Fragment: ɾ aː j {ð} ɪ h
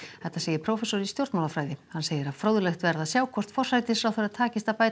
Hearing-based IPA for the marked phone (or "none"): ð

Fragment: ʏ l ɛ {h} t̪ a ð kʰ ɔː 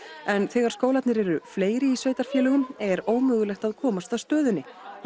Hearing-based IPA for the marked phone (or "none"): x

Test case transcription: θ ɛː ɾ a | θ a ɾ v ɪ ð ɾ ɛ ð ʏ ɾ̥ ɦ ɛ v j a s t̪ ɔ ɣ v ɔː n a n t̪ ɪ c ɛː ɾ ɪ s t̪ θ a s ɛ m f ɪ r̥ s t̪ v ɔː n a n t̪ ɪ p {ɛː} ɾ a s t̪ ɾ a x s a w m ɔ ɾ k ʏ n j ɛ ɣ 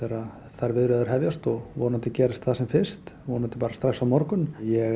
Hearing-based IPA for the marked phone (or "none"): aː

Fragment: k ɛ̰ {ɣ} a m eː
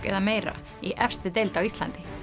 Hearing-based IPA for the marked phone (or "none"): ð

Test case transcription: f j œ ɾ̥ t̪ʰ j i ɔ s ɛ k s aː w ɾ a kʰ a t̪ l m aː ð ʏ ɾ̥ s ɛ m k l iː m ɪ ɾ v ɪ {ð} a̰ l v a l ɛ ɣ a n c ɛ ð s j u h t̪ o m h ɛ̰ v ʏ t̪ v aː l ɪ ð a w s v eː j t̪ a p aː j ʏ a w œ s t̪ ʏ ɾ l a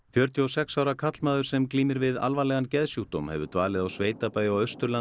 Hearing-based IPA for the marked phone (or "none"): ð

